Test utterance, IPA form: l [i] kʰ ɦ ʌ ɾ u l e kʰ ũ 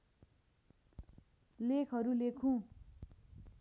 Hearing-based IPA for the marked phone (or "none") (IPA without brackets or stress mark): e